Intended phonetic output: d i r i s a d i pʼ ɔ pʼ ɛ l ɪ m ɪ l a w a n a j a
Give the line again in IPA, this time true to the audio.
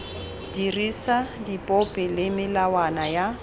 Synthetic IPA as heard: d i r i s a d i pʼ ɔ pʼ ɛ l ɪ m ɪ l a w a n a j a